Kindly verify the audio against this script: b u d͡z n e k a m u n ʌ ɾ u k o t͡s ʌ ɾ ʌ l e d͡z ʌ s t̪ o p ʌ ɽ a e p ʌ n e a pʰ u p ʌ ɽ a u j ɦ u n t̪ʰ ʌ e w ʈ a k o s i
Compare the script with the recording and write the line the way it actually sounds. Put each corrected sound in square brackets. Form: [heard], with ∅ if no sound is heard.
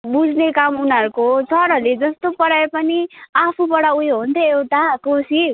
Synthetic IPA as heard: b u d͡z n e k a m u n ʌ ɾ u k o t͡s ʌ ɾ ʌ l e d͡z ʌ s t̪ o p ʌ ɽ a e p ʌ n [i] a pʰ u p ʌ ɽ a u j ɦ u n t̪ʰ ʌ e w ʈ a k o s i